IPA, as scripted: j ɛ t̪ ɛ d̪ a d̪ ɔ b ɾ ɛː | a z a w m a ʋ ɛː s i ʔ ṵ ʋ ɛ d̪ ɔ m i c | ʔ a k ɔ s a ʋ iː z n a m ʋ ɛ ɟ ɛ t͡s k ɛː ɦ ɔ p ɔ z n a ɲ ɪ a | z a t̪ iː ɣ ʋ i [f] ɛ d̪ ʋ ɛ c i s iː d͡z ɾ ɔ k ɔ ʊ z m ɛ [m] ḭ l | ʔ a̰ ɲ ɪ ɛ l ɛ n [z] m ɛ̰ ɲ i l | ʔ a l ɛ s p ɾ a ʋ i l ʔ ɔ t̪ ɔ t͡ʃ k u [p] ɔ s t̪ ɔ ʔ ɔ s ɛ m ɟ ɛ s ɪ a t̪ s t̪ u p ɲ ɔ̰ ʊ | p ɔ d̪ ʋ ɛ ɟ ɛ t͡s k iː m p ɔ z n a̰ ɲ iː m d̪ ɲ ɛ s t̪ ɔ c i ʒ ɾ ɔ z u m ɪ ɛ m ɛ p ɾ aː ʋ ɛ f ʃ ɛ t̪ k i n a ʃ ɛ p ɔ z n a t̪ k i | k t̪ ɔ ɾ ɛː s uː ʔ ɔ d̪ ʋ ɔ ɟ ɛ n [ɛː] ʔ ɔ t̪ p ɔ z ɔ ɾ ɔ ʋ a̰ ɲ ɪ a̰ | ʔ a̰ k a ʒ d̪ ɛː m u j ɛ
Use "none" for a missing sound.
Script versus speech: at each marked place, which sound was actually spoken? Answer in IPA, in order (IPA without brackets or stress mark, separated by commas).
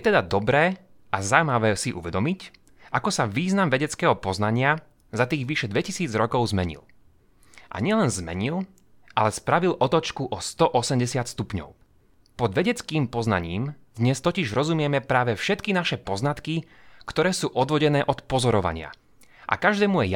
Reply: ʃ, ɲ, z, ʔ, ɛː